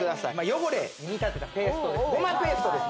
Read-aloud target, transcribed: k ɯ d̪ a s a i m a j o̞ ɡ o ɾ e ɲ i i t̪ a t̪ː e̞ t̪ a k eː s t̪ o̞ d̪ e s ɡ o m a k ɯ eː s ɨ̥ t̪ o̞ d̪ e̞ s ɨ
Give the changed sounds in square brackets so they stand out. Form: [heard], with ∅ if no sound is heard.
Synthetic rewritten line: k ɯ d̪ a s a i m a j o̞ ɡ o ɾ e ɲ i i t̪ a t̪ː e̞ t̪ a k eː s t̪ o̞ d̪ e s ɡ o m a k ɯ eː s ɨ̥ t̪ o̞ d̪ e̞ s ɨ

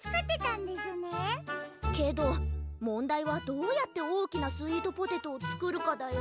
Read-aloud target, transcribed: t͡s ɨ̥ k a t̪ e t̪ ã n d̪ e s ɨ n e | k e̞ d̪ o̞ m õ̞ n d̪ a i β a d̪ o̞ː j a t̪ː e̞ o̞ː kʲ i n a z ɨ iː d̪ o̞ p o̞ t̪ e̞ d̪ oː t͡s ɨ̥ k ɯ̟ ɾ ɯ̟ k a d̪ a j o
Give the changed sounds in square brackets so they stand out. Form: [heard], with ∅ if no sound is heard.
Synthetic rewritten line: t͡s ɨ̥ k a t̪ e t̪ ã n d̪ e s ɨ n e | k e̞ d̪ o̞ m õ̞ n d̪ a i β a d̪ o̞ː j a t̪ː e̞ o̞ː kʲ i n a [s] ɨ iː d̪ o̞ p o̞ t̪ e̞ [t̪] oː t͡s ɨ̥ k ɯ̟ ɾ ɯ̟ k a d̪ a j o

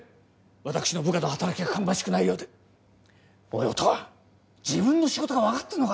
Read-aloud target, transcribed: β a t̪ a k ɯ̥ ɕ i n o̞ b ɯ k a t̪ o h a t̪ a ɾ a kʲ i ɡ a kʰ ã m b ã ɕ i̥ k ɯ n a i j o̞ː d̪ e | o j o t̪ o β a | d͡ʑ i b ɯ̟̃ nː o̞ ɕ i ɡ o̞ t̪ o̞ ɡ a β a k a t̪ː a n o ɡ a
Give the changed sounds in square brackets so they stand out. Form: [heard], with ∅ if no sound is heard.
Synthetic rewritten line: β a t̪ a k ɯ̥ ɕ i n o̞ b ɯ k a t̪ o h a t̪ a ɾ a kʲ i ɡ a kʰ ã m b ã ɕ i̥ k ɯ n a i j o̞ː d̪ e | o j o t̪ o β a | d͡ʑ i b ɯ̟̃ nː o̞ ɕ i ɡ o̞ t̪ o̞ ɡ a β a k a t̪ː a n o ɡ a

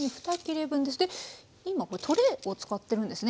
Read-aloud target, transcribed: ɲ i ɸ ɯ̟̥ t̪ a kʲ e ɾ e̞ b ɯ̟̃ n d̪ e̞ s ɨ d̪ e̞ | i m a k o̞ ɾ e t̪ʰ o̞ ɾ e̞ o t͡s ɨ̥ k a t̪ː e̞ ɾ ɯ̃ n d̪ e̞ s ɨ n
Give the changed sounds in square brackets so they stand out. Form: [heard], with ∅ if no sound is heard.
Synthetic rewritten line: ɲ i ɸ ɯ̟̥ t̪ a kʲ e ɾ e̞ b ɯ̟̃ n d̪ e̞ s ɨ d̪ e̞ | i m a k o̞ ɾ e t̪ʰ o̞ ɾ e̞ o t͡s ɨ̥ k a t̪ː e̞ ɾ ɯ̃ n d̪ e̞ s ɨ n

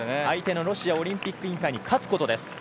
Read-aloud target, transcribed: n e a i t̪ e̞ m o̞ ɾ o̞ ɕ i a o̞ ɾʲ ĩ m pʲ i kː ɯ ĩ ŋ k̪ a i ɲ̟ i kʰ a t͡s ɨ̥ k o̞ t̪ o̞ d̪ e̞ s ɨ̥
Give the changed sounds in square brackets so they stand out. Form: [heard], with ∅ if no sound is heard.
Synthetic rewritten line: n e a i t̪ e̞ [n] o̞ ɾ o̞ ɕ i a o̞ ɾʲ ĩ m pʲ i kː ɯ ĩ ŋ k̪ a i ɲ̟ i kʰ a t͡s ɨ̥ k o̞ t̪ o̞ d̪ e̞ s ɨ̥

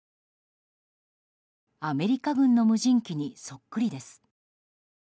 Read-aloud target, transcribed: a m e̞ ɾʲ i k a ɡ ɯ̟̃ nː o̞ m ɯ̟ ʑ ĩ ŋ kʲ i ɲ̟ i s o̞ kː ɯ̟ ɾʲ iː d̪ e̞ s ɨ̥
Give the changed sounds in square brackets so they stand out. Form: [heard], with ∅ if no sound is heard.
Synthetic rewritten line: a m e̞ ɾʲ i k a ɡ ɯ̟̃ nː o̞ m ɯ̟ ʑ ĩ ŋ kʲ i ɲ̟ i s o̞ kː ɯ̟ ɾʲ [i] d̪ e̞ s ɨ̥

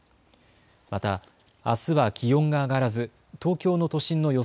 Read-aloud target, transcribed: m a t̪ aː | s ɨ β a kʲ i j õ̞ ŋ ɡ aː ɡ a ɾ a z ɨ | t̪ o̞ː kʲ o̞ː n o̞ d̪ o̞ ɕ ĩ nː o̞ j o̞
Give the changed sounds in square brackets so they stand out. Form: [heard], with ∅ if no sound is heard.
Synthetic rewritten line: m a t̪ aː | s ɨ β a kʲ i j õ̞ ŋ ɡ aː ɡ a ɾ a z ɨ | t̪ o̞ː kʲ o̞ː n o̞ [t̪] o̞ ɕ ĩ nː o̞ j o̞

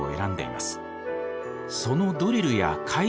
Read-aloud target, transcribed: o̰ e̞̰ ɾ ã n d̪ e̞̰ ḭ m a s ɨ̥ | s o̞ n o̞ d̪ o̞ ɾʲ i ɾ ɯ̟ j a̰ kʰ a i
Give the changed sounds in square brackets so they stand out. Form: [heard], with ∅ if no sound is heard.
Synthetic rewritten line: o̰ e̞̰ ɾ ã n d̪ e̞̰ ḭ m a s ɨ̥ | s o̞ n o̞ d̪ o̞ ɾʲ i ɾ ɯ̟ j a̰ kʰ a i

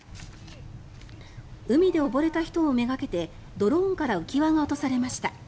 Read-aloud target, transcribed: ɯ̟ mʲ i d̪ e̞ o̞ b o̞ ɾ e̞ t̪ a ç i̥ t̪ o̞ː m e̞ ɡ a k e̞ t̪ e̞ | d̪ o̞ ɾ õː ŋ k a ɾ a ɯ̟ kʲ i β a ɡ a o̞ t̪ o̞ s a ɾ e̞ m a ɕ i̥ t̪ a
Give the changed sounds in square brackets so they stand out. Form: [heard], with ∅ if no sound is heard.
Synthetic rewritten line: ɯ̟ mʲ i d̪ e̞ o̞ b o̞ ɾ e̞ t̪ a ç i̥ t̪ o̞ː m e̞ ɡ a k e̞ t̪ e̞ | d̪ o̞ ɾ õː ŋ k a ɾ a ɯ̟ kʲ i β a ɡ a o̞ t̪ o̞ s a ɾ e̞ m a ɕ i̥ t̪ a

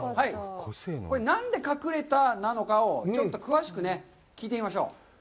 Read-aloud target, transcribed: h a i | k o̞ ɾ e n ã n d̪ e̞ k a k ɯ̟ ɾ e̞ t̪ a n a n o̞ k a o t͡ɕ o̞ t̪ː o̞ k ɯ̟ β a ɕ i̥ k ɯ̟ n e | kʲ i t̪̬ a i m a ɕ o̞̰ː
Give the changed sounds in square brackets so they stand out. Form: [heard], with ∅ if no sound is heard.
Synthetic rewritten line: h a i | k o̞ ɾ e n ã n d̪ e̞ k a k ɯ̟ ɾ e̞ t̪ a n a n o̞ k a o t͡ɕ o̞ t̪ː o̞ k ɯ̟ β a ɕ i̥ k ɯ̟ n e | kʲ [iː] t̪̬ [e] i m a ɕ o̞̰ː

